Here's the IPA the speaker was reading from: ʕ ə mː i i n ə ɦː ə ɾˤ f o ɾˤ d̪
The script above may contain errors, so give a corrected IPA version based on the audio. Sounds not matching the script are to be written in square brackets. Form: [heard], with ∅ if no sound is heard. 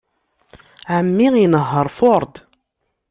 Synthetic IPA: ʕ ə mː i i n ə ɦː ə ɾˤ f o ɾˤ d̪